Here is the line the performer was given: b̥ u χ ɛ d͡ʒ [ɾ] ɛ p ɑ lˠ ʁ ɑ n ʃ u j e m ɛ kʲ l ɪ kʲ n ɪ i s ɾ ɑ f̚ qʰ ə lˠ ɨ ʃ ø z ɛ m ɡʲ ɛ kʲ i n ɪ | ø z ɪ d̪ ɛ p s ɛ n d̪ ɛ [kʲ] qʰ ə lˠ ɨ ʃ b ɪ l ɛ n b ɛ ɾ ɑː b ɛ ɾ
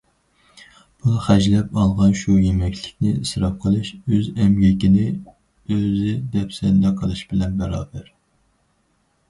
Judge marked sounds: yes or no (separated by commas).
no, no